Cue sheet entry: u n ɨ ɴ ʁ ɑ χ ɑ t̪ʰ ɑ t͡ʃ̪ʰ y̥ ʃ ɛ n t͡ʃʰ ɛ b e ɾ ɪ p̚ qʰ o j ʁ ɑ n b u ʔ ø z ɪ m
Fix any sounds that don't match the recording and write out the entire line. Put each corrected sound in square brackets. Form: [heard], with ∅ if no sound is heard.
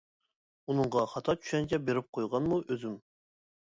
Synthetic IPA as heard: u n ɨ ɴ ʁ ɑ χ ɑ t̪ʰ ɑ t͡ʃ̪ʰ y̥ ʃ ɛ n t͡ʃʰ ɛ b e ɾ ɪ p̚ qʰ o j ʁ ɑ n [m] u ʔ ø z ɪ m